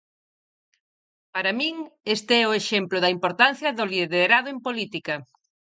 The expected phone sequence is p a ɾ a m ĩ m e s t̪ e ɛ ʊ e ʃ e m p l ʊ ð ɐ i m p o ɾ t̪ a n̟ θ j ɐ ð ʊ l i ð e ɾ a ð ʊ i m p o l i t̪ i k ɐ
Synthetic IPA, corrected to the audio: p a ɾ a m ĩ ŋ e s t̪ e ɛ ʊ e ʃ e m p l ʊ ð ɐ i m p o ɾ t̪ a n̟ θ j ɐ ð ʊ l i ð e ɾ a ð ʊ e m p o l i t̪ i k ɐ